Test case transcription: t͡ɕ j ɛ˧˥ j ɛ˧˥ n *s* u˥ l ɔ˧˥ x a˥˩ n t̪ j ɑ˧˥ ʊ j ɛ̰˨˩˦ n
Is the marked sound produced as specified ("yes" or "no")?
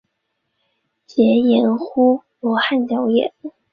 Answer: no